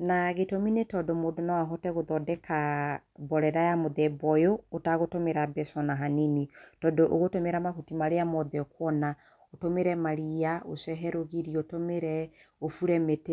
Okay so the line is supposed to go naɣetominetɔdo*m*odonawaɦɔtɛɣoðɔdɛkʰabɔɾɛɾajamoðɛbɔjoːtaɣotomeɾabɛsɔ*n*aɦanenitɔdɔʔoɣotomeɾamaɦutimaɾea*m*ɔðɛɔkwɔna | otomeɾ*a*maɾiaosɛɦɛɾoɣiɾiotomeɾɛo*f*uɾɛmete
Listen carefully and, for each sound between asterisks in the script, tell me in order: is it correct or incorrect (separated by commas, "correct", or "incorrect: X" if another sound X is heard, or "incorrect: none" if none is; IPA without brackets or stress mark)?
correct, correct, correct, incorrect: ɛ, correct